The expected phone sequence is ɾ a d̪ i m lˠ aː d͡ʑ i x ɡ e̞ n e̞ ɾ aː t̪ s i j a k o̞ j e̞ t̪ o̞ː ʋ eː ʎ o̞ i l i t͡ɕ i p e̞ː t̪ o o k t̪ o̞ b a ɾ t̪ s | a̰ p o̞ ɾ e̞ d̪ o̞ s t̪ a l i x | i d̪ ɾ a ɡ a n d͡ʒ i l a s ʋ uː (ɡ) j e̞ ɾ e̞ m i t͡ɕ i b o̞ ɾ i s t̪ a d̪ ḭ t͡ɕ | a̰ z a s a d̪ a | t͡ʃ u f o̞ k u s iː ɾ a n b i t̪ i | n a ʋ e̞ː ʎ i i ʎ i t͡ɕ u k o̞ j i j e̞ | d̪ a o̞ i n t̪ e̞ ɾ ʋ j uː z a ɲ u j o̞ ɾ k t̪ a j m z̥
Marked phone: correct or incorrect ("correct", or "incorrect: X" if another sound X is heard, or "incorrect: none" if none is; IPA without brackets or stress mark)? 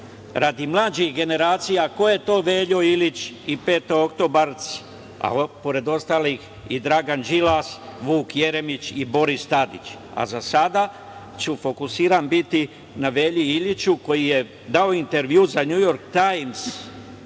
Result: incorrect: k